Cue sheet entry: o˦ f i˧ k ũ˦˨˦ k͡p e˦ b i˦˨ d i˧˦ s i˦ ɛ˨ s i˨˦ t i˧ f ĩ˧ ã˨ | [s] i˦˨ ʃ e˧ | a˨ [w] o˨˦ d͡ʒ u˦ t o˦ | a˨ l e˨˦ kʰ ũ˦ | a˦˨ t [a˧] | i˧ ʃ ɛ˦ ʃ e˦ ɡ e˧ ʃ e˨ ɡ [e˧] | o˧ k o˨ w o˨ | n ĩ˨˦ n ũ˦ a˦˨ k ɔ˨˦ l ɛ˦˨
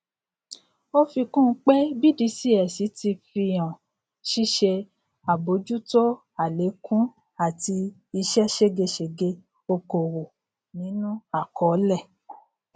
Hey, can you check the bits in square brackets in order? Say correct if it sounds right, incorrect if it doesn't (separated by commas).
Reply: incorrect, incorrect, incorrect, correct